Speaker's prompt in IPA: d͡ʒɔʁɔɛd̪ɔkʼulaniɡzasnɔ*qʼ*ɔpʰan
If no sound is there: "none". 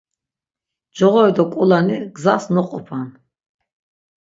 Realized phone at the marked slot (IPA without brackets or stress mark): qʼ